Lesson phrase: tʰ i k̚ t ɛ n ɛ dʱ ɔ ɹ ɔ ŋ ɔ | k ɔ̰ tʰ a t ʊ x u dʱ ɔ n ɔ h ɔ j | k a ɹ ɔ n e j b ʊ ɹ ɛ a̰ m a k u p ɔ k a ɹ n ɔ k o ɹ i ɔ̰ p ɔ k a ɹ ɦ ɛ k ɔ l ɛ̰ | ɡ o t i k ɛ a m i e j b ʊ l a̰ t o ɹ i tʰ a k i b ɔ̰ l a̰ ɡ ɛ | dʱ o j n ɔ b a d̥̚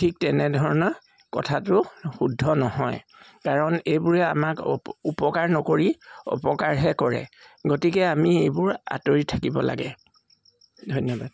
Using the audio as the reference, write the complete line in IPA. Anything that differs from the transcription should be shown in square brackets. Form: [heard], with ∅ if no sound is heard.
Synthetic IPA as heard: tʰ i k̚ t ɛ n ɛ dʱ ɔ ɹ ɔ [n] ɔ | k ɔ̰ tʰ a t ʊ x u dʱ ɔ n ɔ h ɔ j | k a ɹ ɔ n e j b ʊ ɹ ɛ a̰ m a k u p ɔ k a ɹ n ɔ k o ɹ i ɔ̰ p ɔ k a ɹ ɦ ɛ k ɔ [ɹ] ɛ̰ | ɡ o t i k ɛ a m i e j b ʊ [ɹ] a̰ t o ɹ i tʰ a k i b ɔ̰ l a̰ ɡ ɛ | dʱ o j n ɔ b a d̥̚